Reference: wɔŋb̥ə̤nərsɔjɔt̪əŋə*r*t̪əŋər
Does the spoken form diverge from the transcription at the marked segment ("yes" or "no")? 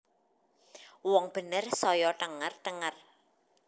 no